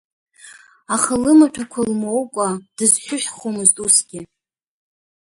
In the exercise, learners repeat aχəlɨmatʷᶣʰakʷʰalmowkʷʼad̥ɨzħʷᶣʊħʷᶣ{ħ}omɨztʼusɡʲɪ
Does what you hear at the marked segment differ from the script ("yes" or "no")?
yes